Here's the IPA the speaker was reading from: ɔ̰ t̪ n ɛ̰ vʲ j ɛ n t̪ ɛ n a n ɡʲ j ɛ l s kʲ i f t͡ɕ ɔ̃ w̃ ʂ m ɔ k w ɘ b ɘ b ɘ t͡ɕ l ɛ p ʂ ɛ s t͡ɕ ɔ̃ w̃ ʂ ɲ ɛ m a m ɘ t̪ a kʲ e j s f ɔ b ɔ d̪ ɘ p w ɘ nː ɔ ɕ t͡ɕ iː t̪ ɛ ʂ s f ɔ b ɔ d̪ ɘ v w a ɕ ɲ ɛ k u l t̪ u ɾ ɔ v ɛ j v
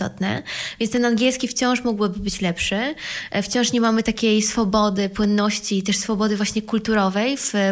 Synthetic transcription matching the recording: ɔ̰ t̪ n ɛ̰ vʲ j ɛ n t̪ ɛ n a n ɡʲ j ɛ l s kʲ i f t͡ɕ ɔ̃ w̃ ʂ m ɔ ɡ w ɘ b ɘ b ɘ t͡ɕ l ɛ p ʂ ɛ f t͡ɕ ɔ̃ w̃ ʂ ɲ ɛ m a m ɘ t̪ a kʲ e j s f ɔ b ɔ d̪ ɘ p w ɘ nː ɔ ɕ t͡ɕ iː t̪ ɛ ʂ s f ɔ b ɔ d̪ ɘ v w a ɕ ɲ ɛ k u l t̪ u ɾ ɔ v ɛ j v